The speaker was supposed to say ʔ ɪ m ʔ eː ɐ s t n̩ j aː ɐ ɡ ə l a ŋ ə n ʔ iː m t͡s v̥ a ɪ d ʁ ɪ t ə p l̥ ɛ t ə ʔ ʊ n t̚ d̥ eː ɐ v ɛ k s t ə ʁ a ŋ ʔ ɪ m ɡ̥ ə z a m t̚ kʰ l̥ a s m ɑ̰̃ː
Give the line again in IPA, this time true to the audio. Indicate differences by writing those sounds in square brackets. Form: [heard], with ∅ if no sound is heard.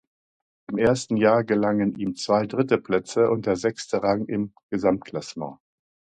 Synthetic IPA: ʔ ɪ m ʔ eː ɐ s t n̩ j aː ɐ ɡ ə l a ŋ ə n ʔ iː m t͡s v̥ a ɪ d ʁ ɪ t ə p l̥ ɛ [t͡s] ə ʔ ʊ n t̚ d̥ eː ɐ [z] ɛ k s t ə ʁ a ŋ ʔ ɪ m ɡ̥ ə z a m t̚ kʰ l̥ a s m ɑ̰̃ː